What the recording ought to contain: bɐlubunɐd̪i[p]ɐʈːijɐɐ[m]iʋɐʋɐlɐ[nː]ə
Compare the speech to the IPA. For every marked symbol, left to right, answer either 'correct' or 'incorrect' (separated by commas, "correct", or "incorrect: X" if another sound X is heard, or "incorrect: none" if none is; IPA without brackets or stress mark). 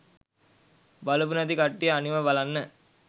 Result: incorrect: k, incorrect: n, correct